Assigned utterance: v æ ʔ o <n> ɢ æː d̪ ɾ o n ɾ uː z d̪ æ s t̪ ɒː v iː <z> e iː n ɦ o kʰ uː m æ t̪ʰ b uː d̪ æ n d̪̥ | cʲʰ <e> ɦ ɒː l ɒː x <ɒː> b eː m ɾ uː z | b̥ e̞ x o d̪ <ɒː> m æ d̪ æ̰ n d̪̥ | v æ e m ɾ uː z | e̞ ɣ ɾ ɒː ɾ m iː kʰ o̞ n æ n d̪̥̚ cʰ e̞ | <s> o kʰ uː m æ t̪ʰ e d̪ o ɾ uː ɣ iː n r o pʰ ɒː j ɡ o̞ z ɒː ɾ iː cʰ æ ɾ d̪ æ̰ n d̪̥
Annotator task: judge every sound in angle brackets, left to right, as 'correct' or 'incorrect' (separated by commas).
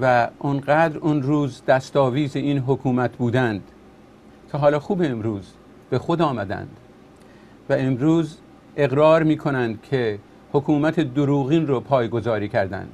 correct, correct, correct, incorrect, correct, incorrect